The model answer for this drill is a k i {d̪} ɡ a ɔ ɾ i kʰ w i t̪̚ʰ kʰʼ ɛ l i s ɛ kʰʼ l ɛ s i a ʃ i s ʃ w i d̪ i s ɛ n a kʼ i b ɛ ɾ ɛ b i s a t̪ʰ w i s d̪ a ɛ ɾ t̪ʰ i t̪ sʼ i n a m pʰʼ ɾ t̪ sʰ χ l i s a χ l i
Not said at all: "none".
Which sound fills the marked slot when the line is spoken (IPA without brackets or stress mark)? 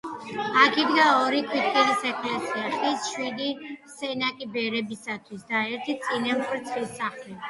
d̪